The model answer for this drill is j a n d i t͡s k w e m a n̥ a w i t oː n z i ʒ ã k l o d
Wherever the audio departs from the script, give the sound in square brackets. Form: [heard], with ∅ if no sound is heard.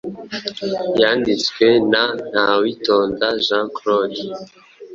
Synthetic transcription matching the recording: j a n d i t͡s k w e [n] a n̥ a w i t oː n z [a] ʒ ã k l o d